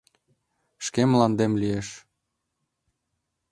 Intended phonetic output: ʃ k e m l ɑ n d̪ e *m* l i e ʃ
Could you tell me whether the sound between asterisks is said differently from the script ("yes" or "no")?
no